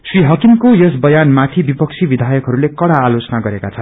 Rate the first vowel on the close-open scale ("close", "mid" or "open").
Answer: close